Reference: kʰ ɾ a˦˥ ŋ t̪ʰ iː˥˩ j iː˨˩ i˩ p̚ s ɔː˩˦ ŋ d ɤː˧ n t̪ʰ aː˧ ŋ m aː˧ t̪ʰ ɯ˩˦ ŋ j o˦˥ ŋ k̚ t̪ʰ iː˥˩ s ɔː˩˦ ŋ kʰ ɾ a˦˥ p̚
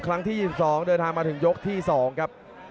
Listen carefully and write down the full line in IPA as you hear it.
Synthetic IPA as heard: kʰ ɾ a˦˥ ŋ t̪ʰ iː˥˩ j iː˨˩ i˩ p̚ s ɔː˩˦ ŋ d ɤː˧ n t̪ʰ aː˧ ŋ m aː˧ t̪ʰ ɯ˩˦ ŋ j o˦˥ k̚ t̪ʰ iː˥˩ s ɔː˩˦ ŋ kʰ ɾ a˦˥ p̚